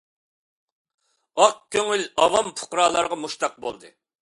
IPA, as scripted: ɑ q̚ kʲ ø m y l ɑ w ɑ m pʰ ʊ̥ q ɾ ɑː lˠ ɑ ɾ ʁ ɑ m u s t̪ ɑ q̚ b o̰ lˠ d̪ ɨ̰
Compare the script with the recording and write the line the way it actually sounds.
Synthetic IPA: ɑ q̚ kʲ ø ŋ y l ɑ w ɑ m pʰ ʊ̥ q ɾ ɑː lˠ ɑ ɾ ʁ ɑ m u ʃ t̪ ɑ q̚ b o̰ lˠ d̪ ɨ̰